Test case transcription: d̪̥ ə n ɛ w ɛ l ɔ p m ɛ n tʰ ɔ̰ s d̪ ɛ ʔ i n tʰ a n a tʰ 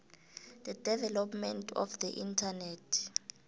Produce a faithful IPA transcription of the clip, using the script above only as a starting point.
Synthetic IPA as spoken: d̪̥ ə d ɛ v ɛ l ɔ p m ɛ n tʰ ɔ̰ f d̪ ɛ ʔ i n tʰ a n ɛ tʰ